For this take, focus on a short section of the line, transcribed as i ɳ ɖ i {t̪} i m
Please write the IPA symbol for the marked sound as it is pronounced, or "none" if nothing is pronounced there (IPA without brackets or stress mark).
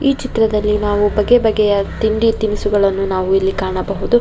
t̪